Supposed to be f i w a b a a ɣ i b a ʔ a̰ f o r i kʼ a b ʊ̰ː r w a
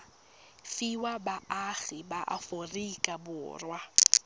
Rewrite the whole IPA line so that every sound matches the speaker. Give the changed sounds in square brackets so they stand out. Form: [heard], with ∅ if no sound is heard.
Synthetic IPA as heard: f i w a b a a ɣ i b a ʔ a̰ f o r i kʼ a b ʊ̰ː r w a